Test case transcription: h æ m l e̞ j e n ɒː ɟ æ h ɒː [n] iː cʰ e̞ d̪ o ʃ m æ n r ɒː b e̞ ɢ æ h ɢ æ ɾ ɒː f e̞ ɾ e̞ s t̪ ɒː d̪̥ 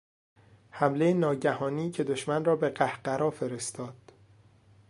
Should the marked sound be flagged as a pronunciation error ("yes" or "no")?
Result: no